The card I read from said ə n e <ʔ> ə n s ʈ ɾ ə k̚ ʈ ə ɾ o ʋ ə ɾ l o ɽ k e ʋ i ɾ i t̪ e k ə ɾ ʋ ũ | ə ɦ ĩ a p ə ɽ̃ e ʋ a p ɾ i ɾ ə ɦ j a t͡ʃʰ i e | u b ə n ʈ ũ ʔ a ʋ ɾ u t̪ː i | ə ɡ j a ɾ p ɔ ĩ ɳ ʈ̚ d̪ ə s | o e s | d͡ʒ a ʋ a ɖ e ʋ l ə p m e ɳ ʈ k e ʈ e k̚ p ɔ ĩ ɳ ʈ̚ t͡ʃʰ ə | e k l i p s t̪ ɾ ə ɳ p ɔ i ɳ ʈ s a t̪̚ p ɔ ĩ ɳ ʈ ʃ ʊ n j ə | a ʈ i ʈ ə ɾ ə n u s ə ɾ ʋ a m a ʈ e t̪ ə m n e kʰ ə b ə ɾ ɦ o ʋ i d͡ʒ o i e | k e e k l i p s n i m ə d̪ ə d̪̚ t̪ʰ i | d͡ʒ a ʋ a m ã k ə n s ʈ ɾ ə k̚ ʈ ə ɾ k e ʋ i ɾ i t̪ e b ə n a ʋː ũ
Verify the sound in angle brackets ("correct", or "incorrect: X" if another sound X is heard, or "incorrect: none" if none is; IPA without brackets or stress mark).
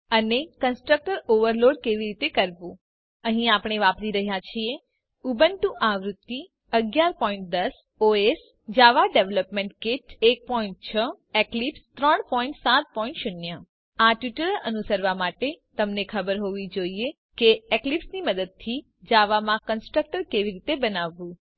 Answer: incorrect: k